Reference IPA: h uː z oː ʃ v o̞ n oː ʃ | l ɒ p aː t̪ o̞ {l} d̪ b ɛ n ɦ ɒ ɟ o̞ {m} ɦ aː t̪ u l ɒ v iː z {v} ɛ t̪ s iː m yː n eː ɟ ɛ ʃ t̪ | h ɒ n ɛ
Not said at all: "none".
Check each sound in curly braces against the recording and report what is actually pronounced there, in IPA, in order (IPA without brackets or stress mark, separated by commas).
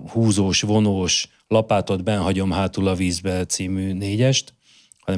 none, m, b